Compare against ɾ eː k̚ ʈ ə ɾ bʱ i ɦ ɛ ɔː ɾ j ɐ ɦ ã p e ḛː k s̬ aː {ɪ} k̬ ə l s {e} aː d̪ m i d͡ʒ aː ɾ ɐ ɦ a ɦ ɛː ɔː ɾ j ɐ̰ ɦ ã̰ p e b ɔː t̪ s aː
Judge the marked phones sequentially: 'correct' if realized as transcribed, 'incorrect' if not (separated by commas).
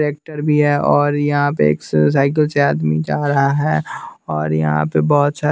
correct, correct